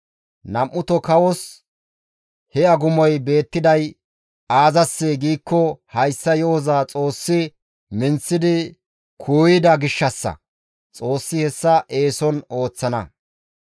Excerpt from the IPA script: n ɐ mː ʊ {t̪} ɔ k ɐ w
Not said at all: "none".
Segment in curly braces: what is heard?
t̪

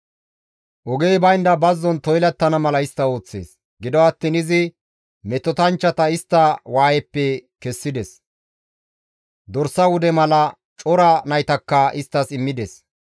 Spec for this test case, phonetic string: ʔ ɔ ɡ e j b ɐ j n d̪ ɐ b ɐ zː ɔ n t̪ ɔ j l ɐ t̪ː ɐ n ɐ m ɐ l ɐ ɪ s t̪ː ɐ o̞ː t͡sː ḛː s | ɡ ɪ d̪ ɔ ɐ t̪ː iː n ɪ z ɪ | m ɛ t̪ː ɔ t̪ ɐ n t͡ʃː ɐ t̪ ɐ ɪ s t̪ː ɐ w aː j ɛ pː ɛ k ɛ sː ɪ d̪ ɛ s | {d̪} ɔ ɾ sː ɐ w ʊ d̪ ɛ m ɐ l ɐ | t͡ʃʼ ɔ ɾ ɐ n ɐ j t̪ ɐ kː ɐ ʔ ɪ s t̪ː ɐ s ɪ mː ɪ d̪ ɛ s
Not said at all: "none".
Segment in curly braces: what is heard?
d̪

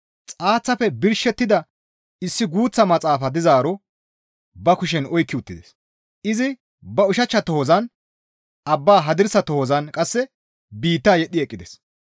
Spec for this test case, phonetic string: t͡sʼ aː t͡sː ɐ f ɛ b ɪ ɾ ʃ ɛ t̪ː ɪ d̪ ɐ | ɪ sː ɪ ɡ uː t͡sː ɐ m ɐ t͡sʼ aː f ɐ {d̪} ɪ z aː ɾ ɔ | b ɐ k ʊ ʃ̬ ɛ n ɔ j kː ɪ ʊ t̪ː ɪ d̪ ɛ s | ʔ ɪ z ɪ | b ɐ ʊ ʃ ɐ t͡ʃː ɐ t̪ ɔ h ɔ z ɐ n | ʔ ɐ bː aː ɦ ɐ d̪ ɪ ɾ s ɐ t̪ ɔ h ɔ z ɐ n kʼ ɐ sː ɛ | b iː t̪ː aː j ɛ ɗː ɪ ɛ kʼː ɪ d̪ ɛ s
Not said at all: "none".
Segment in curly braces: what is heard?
d̪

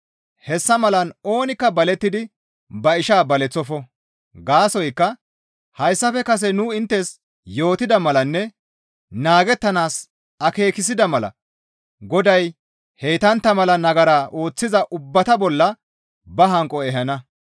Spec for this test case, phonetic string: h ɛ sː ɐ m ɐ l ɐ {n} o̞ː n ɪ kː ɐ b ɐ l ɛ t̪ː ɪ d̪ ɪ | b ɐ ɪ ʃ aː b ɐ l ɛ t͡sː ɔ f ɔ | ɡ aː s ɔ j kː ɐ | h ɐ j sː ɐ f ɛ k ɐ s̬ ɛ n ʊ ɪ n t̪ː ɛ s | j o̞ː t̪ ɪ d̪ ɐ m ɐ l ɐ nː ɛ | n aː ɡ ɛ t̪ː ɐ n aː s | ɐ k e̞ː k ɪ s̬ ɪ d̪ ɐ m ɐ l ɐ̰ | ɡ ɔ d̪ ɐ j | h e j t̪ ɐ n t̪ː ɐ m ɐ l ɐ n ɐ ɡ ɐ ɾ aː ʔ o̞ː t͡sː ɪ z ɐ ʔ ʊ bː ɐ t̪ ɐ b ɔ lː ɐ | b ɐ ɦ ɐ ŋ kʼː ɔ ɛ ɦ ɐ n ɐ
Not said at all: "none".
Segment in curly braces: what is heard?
n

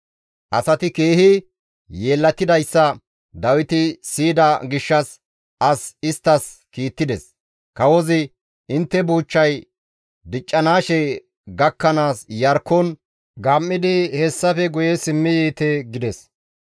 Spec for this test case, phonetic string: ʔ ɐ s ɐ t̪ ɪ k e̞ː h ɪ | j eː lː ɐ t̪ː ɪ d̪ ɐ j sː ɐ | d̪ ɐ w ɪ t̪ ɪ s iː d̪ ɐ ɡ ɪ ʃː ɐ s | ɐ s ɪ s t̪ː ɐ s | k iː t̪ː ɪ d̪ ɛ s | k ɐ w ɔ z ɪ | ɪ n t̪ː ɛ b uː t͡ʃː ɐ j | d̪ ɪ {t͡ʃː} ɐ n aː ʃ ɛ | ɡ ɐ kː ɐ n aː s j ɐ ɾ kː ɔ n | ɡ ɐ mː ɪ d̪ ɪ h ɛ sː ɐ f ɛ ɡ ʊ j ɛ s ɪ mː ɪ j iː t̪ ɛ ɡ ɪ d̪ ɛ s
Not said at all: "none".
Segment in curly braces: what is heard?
t͡ʃʼː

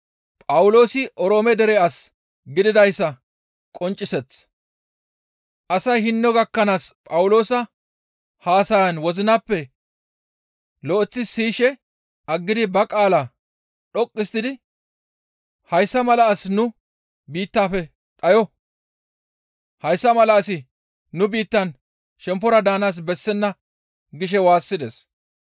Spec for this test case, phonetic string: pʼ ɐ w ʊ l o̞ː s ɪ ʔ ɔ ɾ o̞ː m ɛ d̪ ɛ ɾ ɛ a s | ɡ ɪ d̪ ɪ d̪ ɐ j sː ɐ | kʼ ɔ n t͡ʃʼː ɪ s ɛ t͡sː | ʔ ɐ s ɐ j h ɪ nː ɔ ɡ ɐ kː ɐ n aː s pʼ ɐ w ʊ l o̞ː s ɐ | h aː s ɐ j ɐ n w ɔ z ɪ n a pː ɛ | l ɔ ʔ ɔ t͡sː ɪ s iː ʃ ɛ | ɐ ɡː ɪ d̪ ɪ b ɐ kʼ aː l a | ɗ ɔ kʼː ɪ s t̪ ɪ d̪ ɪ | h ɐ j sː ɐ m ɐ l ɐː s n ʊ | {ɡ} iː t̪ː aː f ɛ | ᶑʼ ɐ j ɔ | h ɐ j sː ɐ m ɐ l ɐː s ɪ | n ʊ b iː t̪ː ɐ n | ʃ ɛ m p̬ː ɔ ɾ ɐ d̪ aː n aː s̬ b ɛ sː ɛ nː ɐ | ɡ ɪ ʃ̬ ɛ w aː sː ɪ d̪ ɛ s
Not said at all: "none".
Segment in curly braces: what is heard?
b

